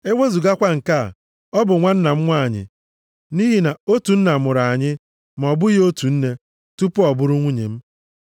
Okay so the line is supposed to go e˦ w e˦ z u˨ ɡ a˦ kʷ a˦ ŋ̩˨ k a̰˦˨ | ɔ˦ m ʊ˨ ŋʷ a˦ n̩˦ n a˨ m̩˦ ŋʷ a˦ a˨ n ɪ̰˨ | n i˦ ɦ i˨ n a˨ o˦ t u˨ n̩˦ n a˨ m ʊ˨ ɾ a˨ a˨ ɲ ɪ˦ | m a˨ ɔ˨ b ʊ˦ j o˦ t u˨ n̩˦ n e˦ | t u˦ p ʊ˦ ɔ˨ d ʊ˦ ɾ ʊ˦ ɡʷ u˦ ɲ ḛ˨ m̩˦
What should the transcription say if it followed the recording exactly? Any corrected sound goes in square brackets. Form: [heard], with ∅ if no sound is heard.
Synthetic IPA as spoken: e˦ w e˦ z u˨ ɡ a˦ kʷ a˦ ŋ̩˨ k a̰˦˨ | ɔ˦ [b] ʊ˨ ŋʷ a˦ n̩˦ n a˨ m̩˦ ŋʷ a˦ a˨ [ɲ] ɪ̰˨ | n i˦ ɦ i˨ n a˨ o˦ t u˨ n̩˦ n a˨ m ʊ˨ ɾ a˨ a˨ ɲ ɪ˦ | m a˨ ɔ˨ b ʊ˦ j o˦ t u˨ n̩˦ n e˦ | t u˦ p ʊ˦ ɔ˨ [b] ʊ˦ ɾ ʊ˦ [ŋʷ] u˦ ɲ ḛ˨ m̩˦